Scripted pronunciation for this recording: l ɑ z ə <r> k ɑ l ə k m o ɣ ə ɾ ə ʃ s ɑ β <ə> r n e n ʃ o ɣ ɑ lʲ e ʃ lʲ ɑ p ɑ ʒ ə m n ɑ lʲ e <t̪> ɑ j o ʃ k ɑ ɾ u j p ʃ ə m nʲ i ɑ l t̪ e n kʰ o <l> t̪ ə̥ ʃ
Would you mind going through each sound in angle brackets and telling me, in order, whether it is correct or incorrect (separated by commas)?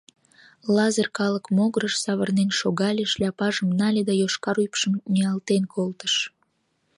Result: correct, correct, incorrect, correct